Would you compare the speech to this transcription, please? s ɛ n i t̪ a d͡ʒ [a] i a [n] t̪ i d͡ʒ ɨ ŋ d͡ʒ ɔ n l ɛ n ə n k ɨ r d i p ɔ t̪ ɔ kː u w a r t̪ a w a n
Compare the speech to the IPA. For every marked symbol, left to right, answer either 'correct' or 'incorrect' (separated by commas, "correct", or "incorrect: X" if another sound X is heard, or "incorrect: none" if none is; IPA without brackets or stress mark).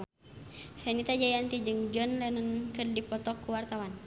correct, correct